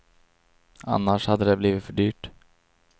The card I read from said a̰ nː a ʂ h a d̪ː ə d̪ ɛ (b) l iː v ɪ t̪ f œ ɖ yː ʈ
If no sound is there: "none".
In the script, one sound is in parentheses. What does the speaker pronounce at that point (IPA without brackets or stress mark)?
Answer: b